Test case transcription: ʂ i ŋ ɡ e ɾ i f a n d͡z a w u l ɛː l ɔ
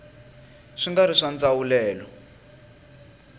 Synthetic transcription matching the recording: ʂ i ŋ ɡ a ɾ i ʂ a n d͡z a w u l ɛː l ɔ